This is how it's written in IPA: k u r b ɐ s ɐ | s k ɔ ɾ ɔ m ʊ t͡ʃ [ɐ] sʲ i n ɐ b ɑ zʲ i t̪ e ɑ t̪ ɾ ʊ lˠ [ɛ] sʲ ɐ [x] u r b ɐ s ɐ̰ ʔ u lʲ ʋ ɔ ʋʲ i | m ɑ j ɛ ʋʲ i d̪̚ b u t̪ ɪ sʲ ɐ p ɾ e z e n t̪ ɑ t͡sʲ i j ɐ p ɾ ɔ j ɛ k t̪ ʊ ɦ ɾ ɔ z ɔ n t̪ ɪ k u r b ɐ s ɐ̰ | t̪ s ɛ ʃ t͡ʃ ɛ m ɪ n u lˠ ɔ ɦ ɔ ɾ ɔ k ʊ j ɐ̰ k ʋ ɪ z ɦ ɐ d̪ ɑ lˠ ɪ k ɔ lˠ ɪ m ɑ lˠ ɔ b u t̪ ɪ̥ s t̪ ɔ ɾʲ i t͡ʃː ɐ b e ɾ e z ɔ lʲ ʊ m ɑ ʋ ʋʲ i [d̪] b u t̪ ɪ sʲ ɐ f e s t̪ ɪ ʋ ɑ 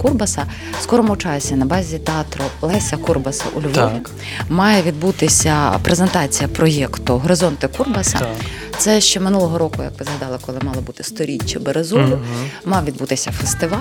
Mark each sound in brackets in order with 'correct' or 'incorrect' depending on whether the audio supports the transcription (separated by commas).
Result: incorrect, correct, incorrect, correct